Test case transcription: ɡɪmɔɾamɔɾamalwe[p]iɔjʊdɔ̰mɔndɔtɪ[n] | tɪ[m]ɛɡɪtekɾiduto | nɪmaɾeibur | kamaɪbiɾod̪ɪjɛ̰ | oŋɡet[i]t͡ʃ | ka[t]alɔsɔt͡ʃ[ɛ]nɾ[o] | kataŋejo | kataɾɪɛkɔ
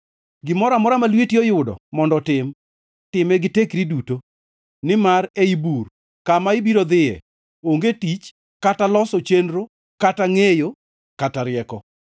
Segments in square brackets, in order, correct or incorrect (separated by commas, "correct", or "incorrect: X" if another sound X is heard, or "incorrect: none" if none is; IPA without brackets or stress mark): incorrect: t, incorrect: m, correct, correct, correct, incorrect: e, correct